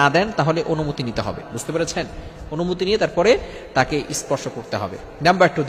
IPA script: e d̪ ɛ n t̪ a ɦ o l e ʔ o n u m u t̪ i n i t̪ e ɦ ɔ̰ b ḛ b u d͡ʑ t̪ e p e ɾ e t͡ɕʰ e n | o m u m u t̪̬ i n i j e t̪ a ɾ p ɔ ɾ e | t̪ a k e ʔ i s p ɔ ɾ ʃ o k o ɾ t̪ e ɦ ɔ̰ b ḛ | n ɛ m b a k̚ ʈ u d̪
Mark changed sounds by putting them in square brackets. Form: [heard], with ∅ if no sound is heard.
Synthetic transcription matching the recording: [a] d̪ ɛ n t̪ a ɦ o l e ʔ o n u m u t̪ i n i t̪ e ɦ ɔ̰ b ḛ b u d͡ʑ t̪ e p e ɾ e t͡ɕʰ e n | o [n] u m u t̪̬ i n i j e t̪ a ɾ p ɔ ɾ e | t̪ a k e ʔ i s p ɔ ɾ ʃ o k o ɾ t̪ e ɦ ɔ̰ b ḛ | n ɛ m b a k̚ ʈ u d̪